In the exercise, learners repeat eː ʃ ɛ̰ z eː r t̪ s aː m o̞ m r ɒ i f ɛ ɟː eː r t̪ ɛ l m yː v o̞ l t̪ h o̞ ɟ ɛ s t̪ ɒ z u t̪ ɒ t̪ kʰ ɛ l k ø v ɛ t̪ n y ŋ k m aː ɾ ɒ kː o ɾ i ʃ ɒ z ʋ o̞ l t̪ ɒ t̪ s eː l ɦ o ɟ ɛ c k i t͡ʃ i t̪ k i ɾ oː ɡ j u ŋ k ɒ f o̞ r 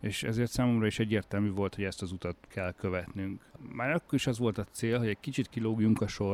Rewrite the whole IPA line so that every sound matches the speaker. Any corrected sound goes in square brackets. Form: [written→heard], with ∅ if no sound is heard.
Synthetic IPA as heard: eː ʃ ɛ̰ z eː r t̪ s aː m o̞ m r ɒ i [f→ʃ] ɛ ɟː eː r t̪ ɛ l m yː v o̞ l t̪ h o̞ ɟ ɛ s t̪ ɒ z u t̪ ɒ t̪ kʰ ɛ l k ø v ɛ t̪ n y ŋ k m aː ɾ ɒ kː o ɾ i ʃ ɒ z ʋ o̞ l t̪ ɒ t̪ s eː l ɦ o ɟ ɛ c k i t͡ʃ i t̪ k i [ɾ→l] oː ɡ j u ŋ k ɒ [f→ʃ] o̞ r